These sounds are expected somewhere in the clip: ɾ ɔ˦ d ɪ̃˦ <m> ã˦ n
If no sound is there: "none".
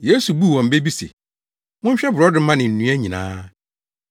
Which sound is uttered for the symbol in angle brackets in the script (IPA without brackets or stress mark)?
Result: m